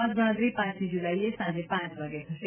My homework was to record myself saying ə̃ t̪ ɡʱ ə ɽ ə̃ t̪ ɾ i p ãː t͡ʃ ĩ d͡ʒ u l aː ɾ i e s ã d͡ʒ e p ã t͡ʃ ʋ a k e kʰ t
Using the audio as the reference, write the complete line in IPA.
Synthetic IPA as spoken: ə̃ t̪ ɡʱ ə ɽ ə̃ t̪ ɾ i p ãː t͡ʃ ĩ d͡ʒ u l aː i e s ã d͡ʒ e p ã t͡ʃ ʋ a ɡ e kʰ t